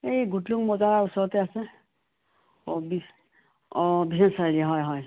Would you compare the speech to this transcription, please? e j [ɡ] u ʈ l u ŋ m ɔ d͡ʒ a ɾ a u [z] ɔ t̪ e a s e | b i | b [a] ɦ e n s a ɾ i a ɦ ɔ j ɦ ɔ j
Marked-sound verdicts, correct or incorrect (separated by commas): correct, incorrect, incorrect